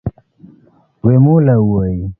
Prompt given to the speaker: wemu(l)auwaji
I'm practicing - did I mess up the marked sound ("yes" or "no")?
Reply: no